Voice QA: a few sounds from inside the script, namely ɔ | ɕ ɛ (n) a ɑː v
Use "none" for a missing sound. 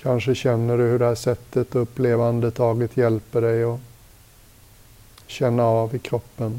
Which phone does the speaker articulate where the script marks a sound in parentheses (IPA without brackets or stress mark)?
nː